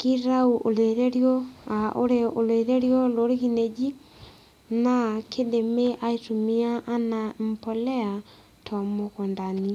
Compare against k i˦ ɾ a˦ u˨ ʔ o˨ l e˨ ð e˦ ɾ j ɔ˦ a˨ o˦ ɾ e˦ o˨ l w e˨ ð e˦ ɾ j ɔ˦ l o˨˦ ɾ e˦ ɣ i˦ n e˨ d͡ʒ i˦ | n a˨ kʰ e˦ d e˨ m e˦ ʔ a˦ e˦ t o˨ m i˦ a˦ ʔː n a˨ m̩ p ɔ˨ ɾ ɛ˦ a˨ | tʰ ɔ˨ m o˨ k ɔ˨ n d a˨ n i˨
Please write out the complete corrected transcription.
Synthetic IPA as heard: k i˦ ɾ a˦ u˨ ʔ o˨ l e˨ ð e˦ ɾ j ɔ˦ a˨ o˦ ɾ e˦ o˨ l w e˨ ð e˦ ɾ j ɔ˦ l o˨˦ ɾ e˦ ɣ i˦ n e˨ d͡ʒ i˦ | n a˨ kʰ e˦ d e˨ m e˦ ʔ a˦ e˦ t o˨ m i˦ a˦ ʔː n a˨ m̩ p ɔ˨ l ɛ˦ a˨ | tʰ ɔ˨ m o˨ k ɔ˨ n d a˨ n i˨